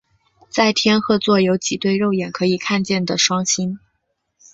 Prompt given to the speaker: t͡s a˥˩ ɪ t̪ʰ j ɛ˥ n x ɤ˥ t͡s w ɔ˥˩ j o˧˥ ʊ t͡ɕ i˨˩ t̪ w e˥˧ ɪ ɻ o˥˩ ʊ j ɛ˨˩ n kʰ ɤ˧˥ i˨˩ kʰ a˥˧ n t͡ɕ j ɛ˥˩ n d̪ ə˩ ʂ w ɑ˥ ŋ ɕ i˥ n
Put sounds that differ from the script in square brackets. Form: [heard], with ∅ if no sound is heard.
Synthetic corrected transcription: t͡s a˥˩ ɪ t̪ʰ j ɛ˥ n x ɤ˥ t͡s w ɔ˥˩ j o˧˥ ʊ t͡ɕ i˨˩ t̪ w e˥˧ ɪ ɻ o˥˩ ʊ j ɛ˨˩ n kʰ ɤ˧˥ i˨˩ kʰ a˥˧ n t͡ɕ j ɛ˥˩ n d̪ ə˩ ʂ w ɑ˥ ŋ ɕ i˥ n